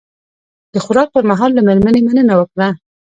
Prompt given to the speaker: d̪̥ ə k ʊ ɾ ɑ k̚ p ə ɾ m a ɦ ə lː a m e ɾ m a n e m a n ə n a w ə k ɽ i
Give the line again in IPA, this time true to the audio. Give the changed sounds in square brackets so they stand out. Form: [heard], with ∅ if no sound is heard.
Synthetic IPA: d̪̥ ə [x] ʊ ɾ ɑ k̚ p ə ɾ m a ɦ [ɑ] lː a m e ɾ m a n e m a n ə n a w ə k ɽ [a]